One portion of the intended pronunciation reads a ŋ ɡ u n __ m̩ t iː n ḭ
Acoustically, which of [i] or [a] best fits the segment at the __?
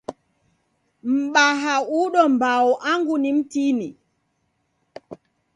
i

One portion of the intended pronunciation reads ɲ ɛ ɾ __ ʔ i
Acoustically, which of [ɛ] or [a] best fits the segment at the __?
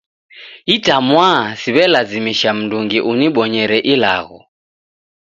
ɛ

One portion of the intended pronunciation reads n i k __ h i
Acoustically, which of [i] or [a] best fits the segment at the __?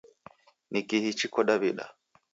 i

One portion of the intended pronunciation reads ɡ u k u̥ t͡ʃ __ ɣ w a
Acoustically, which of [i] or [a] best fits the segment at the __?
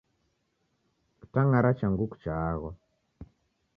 a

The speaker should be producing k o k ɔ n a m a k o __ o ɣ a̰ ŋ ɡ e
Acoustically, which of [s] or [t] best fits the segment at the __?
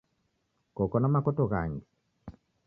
t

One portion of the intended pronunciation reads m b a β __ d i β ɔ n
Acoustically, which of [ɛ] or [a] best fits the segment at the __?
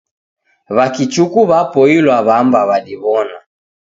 a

